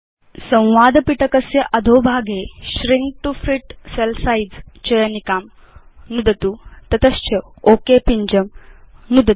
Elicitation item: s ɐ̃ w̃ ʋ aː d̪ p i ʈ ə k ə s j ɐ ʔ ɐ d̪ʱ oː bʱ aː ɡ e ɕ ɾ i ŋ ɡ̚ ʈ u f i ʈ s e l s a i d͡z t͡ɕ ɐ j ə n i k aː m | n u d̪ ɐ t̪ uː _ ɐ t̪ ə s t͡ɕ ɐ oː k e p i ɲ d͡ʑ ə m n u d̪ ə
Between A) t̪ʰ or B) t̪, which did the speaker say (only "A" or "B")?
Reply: B